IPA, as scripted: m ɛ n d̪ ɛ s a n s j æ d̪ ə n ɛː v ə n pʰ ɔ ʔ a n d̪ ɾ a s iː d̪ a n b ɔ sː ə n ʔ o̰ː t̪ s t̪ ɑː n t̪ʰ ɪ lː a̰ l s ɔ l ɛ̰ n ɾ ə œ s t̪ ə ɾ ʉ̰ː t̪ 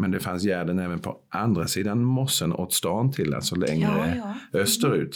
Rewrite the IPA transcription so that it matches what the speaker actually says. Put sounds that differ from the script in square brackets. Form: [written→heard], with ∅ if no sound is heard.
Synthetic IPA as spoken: m ɛ n d̪ ɛ [s→f] a n s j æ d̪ ə n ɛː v ə n pʰ ɔ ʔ a n d̪ ɾ a s iː d̪ a n [b→m] ɔ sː ə n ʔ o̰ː t̪ s t̪ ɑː n t̪ʰ ɪ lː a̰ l s ɔ l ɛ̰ [n→ŋ] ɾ ə œ s t̪ ə ɾ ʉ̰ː t̪